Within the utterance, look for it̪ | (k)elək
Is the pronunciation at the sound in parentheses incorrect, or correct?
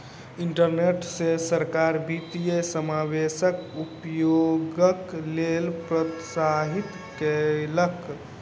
correct